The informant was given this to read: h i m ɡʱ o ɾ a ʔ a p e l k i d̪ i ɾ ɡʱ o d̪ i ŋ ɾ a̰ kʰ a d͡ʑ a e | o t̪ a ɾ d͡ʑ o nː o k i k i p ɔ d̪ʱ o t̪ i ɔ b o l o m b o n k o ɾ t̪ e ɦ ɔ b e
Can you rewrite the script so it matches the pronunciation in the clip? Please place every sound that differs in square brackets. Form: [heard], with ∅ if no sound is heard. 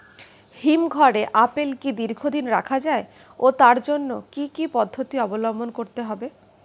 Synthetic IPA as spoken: h i m ɡʱ [ɔ] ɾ [e] ʔ a p e l k i d̪ i ɾ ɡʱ o d̪ i [n] ɾ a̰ kʰ a d͡ʑ a e | o t̪ a ɾ d͡ʑ o nː o k i k i p ɔ [d̪ʱː] o t̪ i ɔ b o l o m b o n k o ɾ t̪ e ɦ ɔ b e